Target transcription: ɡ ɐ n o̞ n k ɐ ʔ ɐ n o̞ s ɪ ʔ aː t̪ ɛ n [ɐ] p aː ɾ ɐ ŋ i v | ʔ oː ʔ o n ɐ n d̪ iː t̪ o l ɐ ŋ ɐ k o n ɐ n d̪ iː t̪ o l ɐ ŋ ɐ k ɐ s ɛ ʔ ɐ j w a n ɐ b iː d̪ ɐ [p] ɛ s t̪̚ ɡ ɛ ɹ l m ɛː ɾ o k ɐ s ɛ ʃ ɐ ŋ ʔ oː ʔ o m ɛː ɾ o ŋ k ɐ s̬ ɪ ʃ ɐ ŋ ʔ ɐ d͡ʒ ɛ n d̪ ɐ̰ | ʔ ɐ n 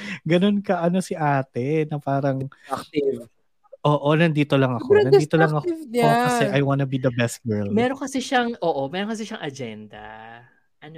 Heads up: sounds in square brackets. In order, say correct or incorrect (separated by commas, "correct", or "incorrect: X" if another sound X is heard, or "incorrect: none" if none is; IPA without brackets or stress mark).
correct, incorrect: b